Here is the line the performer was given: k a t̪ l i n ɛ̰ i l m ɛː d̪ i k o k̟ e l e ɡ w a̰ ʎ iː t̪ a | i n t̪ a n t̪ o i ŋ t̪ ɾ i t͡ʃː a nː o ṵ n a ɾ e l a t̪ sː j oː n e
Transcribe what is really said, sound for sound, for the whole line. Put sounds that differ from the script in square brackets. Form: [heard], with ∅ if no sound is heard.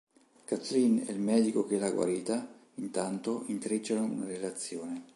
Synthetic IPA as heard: k a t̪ l i n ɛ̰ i l m ɛː d̪ i k o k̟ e l [a] ɡ w a̰ [ɾ] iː t̪ a | i n t̪ a n t̪ o i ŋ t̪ ɾ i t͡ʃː a [n] o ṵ n a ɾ e l a t̪ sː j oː n e